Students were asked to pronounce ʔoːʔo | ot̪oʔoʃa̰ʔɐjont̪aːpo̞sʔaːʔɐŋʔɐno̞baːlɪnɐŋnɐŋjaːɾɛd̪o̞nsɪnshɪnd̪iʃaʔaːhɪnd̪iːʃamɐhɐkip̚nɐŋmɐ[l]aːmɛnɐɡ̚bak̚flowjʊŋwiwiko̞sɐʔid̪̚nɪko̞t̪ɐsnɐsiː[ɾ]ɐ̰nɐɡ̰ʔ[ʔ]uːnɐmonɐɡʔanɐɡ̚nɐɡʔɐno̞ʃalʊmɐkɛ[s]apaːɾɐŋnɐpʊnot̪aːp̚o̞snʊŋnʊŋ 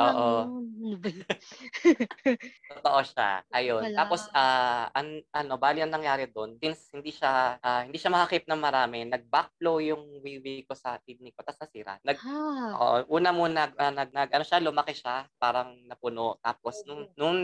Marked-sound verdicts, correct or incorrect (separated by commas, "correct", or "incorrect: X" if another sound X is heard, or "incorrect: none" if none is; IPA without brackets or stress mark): incorrect: ɾ, correct, correct, incorrect: ʃ